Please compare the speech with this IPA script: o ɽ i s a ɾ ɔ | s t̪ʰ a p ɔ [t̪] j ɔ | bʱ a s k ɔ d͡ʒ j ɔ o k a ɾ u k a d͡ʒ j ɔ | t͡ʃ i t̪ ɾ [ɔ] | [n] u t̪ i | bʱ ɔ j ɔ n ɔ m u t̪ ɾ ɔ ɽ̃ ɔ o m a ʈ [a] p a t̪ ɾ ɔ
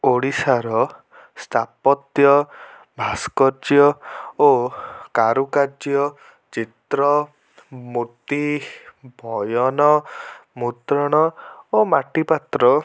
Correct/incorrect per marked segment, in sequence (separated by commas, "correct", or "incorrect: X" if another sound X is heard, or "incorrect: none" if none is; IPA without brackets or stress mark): correct, correct, incorrect: m, incorrect: i